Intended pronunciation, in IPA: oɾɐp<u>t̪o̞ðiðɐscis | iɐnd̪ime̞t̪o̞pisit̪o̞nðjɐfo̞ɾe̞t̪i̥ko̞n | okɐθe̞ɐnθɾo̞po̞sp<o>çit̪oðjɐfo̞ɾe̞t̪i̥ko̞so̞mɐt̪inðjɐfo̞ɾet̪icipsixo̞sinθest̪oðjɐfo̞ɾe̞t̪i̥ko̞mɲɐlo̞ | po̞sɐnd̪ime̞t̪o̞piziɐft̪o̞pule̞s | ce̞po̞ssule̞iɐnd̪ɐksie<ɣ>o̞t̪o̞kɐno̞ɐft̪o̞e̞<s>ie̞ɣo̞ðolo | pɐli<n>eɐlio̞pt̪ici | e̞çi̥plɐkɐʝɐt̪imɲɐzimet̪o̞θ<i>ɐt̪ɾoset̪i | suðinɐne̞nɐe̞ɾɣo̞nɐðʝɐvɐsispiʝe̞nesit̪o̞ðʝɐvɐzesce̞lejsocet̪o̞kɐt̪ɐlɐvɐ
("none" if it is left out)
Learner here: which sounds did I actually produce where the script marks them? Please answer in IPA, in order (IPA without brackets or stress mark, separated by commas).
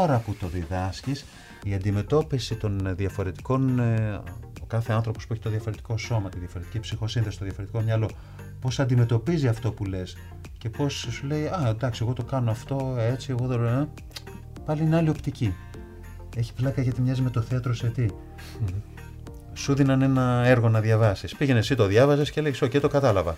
u, u, ɣ, t͡s, n, e